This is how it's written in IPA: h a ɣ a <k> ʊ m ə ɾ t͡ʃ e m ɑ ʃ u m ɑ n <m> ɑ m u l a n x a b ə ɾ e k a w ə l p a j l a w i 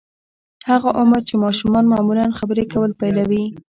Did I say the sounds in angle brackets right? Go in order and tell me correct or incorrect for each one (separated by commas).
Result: incorrect, correct